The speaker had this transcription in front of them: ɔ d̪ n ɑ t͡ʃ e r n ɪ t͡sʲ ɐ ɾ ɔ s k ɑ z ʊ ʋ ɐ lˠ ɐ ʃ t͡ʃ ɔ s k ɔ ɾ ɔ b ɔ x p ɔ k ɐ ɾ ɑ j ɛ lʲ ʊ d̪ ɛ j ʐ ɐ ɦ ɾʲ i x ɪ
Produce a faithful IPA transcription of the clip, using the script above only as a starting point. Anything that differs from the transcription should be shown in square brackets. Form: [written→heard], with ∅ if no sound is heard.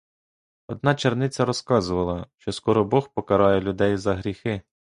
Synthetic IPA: ɔ d̪ n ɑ t͡ʃ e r n ɪ t͡sʲ ɐ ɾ ɔ s k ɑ z ʊ ʋ ɐ lˠ ɐ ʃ t͡ʃ ɔ s k ɔ ɾ ɔ b ɔ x p ɔ k ɐ ɾ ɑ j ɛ lʲ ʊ d̪ ɛ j [ʐ→z] ɐ ɦ ɾʲ i x ɪ